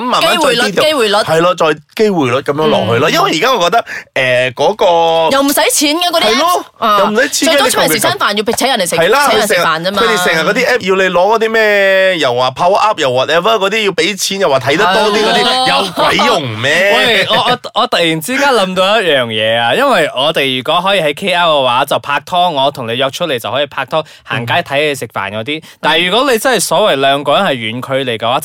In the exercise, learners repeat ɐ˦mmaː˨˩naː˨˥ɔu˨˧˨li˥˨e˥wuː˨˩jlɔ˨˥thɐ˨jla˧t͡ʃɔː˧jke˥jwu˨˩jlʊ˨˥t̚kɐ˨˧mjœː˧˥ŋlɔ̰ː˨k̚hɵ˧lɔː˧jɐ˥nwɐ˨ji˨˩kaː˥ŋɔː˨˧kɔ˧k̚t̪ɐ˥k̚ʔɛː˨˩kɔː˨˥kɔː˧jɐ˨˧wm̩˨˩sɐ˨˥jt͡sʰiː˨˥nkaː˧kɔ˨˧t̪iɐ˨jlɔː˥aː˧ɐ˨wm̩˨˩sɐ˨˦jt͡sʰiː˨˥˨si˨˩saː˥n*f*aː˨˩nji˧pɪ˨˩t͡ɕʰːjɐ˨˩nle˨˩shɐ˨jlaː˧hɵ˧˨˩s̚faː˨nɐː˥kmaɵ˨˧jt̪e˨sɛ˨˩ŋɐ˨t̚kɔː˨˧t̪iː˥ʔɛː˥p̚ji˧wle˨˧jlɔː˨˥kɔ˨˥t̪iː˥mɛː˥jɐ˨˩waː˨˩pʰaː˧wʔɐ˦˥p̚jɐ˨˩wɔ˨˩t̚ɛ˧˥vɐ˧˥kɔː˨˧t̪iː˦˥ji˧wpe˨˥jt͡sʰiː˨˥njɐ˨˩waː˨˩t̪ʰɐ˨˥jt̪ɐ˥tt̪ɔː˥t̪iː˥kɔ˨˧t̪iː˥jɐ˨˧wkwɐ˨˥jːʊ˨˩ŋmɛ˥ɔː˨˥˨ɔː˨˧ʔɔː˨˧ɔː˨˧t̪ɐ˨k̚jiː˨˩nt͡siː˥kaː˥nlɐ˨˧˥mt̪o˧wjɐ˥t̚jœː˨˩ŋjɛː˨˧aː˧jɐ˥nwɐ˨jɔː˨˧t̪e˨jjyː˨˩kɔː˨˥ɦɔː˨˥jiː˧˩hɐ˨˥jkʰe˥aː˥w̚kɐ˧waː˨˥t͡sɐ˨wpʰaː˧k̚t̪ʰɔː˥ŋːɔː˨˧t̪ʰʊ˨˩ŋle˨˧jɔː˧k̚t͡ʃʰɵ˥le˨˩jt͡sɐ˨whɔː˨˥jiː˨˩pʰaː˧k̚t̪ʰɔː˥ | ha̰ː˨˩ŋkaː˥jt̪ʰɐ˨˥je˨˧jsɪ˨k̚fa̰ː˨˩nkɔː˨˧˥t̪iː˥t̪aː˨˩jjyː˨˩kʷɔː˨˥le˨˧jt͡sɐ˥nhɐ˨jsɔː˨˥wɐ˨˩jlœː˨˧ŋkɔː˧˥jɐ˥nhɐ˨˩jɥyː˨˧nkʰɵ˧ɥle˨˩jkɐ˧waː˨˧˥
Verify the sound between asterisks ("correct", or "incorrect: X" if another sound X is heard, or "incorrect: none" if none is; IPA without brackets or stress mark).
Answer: correct